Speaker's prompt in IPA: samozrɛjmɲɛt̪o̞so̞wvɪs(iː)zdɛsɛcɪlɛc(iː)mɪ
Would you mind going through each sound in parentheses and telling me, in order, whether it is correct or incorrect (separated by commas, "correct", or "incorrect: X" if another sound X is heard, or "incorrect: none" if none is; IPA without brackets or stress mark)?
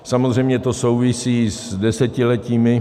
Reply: correct, correct